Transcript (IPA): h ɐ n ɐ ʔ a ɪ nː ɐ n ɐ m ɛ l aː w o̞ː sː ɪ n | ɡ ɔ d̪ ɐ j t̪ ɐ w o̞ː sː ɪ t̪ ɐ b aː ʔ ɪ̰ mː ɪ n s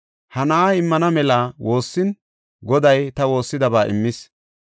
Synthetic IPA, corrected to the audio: h ɐ n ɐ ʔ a ɪ mː ɐ n ɐ m ɛ l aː w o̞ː sː ɪ n | ɡ ɔ d̪ ɐ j t̪ ɐ w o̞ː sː ɪ d̪ ɐ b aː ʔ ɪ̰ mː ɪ s